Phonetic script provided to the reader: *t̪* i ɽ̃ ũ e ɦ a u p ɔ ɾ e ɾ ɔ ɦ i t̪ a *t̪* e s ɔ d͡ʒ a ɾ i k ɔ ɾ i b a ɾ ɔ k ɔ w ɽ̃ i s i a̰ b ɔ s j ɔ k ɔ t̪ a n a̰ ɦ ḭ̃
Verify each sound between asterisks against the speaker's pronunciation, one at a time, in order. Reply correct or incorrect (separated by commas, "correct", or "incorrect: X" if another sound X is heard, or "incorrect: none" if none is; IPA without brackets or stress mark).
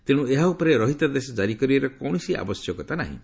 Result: correct, incorrect: d̪